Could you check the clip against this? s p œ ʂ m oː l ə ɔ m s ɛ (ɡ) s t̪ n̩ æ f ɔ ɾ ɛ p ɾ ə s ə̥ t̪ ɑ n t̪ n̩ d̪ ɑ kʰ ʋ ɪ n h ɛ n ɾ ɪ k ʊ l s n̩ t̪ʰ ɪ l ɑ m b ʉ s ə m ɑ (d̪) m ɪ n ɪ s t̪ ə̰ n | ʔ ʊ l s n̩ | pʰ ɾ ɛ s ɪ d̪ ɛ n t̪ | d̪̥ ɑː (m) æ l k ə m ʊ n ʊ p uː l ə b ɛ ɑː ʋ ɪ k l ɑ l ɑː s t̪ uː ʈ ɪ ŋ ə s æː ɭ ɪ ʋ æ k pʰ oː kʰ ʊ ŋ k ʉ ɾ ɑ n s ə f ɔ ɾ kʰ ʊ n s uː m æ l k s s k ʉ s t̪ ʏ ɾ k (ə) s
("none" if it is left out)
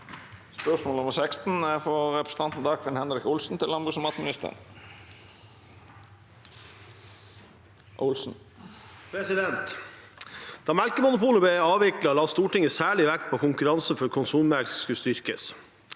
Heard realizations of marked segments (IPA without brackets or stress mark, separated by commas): k, t̪, m, ə